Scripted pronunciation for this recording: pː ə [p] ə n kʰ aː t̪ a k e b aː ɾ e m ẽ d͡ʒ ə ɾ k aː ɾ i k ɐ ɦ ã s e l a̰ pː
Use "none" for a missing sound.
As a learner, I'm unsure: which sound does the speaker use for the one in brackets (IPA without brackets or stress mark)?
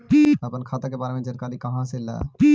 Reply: p